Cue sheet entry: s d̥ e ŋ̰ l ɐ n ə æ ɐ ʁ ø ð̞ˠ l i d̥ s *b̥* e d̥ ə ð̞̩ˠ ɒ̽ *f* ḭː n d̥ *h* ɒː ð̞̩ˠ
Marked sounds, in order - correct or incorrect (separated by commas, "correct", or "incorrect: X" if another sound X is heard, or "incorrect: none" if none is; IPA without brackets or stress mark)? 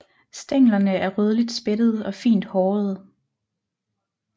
correct, correct, correct